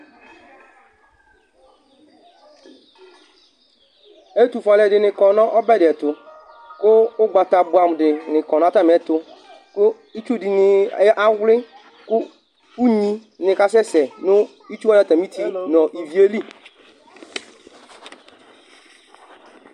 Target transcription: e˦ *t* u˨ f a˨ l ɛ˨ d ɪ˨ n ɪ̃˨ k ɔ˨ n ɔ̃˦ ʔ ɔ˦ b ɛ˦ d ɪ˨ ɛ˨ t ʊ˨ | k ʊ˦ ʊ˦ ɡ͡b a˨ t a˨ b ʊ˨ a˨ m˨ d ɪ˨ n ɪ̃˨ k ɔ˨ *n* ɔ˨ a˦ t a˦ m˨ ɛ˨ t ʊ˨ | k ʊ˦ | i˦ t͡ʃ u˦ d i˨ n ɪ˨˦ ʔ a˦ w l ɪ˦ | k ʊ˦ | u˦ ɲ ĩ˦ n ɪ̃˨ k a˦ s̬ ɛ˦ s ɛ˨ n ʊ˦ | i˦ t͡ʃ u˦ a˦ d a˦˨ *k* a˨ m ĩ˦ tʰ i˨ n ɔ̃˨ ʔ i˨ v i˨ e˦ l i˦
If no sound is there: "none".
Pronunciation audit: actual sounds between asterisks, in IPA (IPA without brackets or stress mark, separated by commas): t, n, t